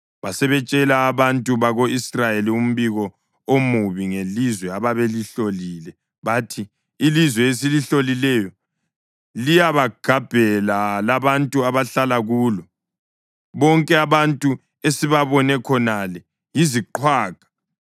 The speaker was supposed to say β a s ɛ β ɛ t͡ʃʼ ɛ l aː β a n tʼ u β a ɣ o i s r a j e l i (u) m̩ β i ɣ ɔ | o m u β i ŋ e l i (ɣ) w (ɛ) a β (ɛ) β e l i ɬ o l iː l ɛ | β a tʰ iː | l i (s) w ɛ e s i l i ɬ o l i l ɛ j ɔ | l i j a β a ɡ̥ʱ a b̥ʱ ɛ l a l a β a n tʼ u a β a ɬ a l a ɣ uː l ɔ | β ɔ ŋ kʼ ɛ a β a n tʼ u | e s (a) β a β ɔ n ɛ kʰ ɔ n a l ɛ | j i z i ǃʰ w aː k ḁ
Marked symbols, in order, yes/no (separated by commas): yes, no, yes, no, no, no